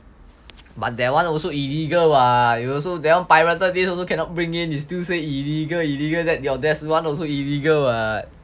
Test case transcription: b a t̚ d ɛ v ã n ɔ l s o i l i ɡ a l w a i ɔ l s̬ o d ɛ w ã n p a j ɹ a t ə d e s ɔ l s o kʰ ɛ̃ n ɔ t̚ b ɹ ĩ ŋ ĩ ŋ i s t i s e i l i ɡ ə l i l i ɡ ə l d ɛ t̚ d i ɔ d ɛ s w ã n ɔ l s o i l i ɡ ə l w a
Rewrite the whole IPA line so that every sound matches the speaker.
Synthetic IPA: b a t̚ d ɛ w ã n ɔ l s o i l i ɡ ə l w a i ɔ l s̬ o d ɛ w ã n p a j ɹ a t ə d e s ɔ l s o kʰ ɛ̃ n ɔ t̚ b ɹ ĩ ŋ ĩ n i s t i s e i l i ɡ ə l i l i ɡ ə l d ɛ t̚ d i ɔ d ɛ s w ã n ɔ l s o i l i ɡ ə l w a